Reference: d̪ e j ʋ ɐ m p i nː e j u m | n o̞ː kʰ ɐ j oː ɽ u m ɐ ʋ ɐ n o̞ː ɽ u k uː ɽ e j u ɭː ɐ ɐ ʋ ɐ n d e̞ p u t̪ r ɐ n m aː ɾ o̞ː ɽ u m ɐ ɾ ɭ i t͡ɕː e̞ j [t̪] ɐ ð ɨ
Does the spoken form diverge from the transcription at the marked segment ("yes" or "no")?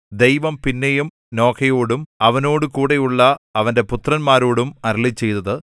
no